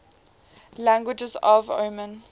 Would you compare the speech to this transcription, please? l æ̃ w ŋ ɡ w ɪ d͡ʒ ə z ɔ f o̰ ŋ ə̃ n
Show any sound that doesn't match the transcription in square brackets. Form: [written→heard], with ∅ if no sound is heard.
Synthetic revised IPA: l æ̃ [w→∅] ŋ ɡ w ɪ d͡ʒ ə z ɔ [f→v] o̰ [ŋ→m] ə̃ n